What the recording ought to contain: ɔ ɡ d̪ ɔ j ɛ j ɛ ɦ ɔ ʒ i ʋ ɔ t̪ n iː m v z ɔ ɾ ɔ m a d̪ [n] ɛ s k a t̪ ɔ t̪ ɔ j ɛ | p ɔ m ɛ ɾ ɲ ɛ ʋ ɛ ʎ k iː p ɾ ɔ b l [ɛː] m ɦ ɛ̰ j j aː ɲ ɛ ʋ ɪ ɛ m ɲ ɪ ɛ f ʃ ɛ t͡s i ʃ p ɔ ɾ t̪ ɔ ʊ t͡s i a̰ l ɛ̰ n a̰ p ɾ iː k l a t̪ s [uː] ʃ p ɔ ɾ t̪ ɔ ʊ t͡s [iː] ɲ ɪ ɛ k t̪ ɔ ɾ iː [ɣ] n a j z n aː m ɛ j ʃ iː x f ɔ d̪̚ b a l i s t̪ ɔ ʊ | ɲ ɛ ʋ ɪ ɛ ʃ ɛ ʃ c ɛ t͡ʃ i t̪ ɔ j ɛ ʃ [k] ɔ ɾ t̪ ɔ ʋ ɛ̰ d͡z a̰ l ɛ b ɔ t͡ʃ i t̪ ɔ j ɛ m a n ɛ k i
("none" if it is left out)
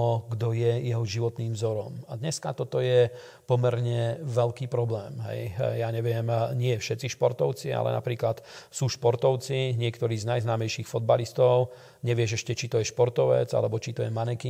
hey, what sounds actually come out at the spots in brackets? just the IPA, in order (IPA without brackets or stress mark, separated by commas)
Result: ɲ, ɛː, uː, i, z, p